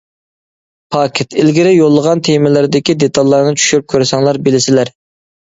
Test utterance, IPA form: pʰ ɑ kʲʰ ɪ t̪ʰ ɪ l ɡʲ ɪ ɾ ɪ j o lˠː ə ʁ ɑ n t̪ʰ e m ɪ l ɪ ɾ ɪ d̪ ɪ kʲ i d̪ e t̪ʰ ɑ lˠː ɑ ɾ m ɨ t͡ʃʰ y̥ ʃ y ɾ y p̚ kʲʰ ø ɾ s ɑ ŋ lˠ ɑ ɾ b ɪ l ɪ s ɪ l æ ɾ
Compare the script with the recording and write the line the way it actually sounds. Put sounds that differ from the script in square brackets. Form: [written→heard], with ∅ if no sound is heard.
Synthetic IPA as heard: pʰ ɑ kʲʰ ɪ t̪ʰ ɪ l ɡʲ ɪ ɾ ɪ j o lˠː ə ʁ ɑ n t̪ʰ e m ɪ l ɪ ɾ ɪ d̪ ɪ kʲ i d̪ e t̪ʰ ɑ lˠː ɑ ɾ [m→n] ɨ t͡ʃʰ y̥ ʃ y ɾ y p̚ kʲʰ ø ɾ s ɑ ŋ lˠ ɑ ɾ b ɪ l ɪ s ɪ l æ ɾ

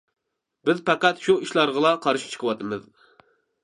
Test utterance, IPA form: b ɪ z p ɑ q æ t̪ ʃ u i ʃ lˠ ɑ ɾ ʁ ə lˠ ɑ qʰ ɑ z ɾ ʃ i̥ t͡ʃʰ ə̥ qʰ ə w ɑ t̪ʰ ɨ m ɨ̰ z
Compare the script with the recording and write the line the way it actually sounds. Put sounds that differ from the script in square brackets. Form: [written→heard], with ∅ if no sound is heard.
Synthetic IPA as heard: b ɪ z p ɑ q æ t̪ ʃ u i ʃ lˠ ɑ ɾ ʁ ə lˠ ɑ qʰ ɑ [z→∅] ɾ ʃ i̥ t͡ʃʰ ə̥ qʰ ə w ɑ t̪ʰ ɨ m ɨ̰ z

